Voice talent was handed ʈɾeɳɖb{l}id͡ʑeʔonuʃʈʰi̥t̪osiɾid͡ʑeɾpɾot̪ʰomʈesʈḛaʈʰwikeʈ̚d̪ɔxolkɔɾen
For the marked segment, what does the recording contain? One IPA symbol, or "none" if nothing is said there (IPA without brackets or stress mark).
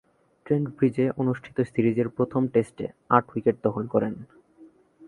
ɾ